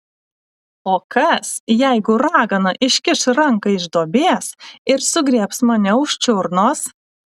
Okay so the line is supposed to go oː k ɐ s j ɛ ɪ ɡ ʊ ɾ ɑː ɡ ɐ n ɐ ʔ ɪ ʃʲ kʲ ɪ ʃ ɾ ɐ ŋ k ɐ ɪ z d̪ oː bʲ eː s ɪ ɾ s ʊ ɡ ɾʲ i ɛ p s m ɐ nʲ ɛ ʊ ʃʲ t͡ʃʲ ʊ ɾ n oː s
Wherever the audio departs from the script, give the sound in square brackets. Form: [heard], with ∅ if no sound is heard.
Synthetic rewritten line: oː k ɐ s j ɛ ɪ ɡ ʊ ɾ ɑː ɡ ɐ n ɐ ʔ ɪ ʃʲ kʲ ɪ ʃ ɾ ɐ ŋ k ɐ ɪ [ʒ] d̪ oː bʲ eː s ɪ ɾ s ʊ ɡ ɾʲ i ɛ p s m ɐ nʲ ɛ ʊ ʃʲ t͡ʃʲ ʊ ɾ n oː s